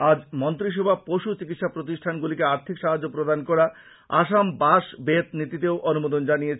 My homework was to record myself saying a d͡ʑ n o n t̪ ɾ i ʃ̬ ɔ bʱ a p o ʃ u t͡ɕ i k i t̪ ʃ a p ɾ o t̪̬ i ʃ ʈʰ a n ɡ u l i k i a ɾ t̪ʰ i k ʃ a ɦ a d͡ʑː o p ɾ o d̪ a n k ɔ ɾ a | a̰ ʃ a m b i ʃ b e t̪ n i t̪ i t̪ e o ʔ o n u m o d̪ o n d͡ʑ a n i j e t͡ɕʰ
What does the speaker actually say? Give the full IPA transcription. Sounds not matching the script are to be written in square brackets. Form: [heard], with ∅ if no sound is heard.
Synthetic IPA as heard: a d͡ʑ [m] o n t̪ ɾ i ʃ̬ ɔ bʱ a p o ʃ u t͡ɕ i k i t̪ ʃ a p ɾ o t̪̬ i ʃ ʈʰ a n ɡ u l i k [e] a ɾ t̪ʰ i k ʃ a ɦ a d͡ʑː o p ɾ o d̪ a n k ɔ ɾ a | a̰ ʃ a m b [a] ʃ b e t̪ n i t̪ i t̪ e o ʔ o n u m o d̪ o n d͡ʑ a n i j e t͡ɕʰ